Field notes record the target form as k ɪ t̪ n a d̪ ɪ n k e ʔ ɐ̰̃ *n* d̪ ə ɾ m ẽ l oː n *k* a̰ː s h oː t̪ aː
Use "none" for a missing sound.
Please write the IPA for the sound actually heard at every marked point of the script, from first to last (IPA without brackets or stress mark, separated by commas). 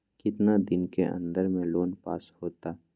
n, p